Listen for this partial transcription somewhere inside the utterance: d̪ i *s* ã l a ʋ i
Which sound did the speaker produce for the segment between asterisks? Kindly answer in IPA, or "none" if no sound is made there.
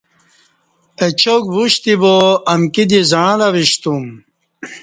z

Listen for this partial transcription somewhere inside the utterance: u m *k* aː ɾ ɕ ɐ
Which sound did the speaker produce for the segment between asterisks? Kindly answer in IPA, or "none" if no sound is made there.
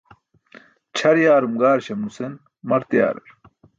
ɡ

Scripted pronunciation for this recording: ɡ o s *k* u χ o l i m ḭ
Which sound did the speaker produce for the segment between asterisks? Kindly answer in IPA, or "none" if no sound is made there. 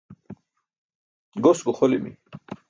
ɡ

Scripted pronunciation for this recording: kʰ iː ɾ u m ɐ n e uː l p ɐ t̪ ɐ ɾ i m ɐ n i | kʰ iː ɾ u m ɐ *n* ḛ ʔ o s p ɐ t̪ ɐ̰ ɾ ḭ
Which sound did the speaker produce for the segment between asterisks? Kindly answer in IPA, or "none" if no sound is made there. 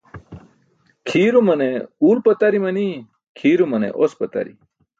n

